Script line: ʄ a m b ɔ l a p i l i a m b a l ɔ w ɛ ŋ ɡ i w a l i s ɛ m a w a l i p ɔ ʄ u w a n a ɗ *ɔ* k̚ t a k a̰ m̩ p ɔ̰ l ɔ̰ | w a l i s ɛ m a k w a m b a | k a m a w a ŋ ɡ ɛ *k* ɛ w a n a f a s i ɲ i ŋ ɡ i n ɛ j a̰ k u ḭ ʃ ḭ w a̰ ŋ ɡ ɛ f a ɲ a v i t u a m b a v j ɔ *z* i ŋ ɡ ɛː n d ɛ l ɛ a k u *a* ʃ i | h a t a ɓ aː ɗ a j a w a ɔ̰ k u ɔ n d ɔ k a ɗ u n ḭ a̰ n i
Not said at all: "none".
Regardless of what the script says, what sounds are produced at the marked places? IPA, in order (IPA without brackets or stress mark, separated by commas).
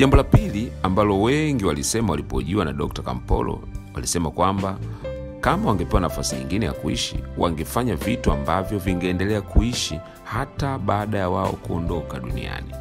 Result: ɔ, p, v, i